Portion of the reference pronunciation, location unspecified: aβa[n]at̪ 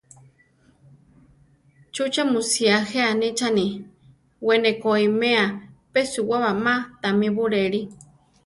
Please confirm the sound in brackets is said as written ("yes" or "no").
no